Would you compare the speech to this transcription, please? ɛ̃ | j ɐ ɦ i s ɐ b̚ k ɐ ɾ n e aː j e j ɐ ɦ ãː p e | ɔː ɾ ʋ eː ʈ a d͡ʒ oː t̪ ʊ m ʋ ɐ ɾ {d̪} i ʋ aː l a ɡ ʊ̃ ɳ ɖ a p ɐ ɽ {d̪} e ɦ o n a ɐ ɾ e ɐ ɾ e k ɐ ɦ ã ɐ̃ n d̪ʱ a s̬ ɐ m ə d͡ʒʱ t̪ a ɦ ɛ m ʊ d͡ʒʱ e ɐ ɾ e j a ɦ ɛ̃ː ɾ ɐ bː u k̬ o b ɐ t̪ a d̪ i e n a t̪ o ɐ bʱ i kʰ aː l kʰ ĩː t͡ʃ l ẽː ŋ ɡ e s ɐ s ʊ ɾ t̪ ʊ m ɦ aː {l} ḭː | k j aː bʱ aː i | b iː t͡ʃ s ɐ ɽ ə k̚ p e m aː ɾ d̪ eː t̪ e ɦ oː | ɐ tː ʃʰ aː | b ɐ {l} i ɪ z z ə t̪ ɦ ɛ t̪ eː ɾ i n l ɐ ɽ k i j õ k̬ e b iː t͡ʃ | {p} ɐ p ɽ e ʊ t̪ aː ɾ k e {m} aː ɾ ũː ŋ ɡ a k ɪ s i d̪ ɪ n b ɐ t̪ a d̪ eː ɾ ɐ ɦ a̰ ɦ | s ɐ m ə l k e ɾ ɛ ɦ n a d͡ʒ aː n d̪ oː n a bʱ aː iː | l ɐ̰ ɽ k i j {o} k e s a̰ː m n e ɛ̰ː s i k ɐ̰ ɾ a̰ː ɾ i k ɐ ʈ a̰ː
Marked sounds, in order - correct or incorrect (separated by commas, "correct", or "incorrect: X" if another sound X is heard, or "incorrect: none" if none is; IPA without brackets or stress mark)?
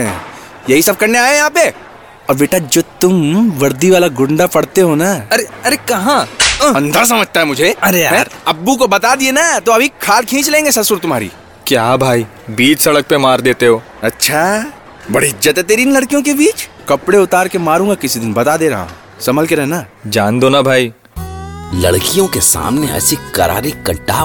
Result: correct, incorrect: t̪, incorrect: ɾ, incorrect: ɽ, incorrect: k, correct, incorrect: õ